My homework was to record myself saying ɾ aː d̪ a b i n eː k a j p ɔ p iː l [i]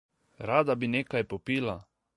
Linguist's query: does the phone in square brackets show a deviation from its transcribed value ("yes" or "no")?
yes